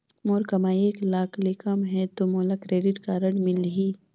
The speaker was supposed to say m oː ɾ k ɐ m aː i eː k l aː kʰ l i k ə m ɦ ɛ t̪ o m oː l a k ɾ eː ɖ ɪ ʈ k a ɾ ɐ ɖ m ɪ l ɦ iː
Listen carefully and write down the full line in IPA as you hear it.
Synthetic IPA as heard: m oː ɾ k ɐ m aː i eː k l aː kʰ l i k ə m ɦ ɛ t̪ o m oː l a k ɾ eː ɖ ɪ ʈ k a ɾ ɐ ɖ m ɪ l ɦ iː